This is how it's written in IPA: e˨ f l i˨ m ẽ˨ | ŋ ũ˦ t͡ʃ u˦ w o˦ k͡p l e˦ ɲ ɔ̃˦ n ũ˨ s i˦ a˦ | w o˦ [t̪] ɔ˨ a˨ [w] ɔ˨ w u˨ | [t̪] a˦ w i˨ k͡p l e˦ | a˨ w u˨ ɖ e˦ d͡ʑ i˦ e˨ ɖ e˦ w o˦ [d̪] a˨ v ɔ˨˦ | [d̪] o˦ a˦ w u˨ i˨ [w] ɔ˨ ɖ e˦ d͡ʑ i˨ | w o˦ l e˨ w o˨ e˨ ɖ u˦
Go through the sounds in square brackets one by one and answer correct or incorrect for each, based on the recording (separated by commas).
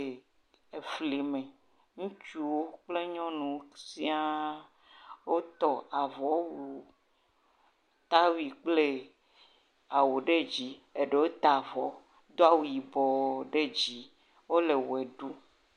correct, incorrect, correct, incorrect, correct, incorrect